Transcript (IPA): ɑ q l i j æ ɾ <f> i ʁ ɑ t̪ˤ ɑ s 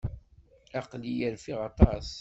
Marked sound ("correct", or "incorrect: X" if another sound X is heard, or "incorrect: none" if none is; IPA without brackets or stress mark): correct